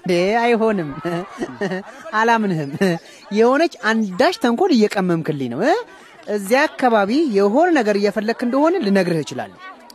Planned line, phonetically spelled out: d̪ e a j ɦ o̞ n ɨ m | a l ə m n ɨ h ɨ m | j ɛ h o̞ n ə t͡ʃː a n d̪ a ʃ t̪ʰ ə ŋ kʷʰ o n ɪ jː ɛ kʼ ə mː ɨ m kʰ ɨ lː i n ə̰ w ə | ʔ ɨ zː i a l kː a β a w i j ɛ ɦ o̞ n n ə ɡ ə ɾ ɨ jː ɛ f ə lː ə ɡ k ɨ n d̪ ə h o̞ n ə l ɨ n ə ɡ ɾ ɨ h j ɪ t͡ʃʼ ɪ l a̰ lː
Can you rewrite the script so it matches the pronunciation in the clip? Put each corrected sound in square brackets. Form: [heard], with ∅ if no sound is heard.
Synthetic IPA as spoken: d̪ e a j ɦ o̞ n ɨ m | a l [a] m n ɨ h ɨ m | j ɛ h o̞ n ə t͡ʃː a n d̪ a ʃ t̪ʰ ə ŋ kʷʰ o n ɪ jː ɛ kʼ ə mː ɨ m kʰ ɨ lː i n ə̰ w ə | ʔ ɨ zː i a [∅] kː a β a [β] i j ɛ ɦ o̞ n n ə ɡ ə ɾ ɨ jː ɛ f ə lː ə ɡ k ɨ n d̪ ə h o̞ n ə l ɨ n ə ɡ ɾ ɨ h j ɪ [t͡ʃ] ɪ l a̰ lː